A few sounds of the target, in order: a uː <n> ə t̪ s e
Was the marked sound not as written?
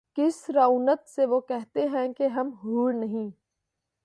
no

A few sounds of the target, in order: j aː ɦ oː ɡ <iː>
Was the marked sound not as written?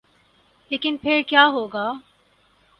yes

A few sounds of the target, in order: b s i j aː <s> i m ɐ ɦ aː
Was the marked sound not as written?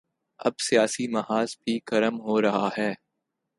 no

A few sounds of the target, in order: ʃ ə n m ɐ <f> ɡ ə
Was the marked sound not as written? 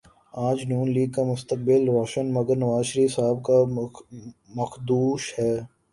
yes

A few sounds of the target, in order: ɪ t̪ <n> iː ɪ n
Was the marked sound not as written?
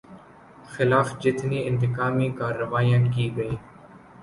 no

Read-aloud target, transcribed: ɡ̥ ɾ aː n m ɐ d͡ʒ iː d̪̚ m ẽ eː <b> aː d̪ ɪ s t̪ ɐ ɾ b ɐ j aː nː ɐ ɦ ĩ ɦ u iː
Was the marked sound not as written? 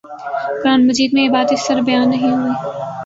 no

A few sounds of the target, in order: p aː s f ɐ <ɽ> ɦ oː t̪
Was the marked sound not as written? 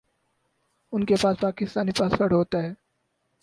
no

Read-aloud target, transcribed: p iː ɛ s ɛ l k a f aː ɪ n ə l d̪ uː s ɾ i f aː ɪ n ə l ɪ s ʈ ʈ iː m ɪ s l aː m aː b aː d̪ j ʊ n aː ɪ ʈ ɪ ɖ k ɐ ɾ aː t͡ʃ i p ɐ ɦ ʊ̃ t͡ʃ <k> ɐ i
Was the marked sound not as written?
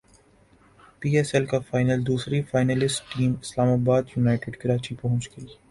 yes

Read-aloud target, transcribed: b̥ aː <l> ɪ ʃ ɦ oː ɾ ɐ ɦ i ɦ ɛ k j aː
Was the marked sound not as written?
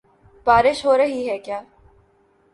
yes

